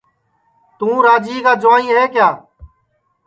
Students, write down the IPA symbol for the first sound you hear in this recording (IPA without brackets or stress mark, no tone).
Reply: t̪